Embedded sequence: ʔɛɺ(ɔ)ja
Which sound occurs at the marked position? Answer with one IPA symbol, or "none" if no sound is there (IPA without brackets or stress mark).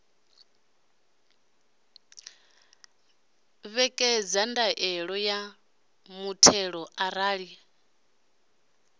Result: ɔ